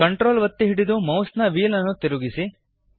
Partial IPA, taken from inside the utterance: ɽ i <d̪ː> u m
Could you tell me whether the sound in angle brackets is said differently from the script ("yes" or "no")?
yes